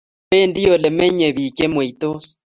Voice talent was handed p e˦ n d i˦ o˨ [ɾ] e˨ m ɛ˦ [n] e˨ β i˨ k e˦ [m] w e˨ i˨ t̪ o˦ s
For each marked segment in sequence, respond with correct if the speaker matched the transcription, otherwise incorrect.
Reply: incorrect, incorrect, correct

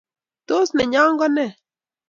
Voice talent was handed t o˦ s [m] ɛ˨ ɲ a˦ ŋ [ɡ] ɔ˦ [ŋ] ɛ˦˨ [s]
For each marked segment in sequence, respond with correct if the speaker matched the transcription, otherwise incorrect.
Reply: incorrect, correct, incorrect, incorrect

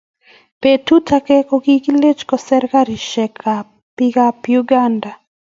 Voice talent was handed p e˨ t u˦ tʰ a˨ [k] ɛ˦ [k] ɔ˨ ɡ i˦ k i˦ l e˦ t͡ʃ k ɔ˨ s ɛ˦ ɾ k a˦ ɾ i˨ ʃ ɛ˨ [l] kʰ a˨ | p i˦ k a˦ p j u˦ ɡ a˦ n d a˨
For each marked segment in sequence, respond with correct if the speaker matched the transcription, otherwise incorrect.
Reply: correct, correct, incorrect

